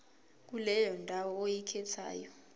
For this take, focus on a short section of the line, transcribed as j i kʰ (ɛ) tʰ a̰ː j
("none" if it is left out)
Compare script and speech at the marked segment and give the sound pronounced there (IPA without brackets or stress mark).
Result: ɛ